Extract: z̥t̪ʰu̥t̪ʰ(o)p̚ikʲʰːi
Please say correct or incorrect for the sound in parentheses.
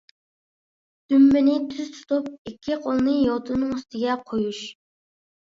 incorrect